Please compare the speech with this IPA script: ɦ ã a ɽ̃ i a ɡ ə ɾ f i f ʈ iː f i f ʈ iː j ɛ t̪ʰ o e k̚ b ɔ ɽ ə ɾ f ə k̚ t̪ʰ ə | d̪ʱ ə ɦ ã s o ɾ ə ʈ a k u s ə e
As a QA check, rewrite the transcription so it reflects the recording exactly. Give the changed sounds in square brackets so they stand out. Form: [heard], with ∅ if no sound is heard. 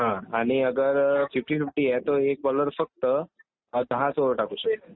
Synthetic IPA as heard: ɦ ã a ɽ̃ i [ə] ɡ ə ɾ f i f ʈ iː f i f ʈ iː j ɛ [t̪] o e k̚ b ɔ [l] ə ɾ f ə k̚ [t̪] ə | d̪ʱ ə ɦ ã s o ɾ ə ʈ a k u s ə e